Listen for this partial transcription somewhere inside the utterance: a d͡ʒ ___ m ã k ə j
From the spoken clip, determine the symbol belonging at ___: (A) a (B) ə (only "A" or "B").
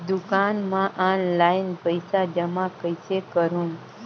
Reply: B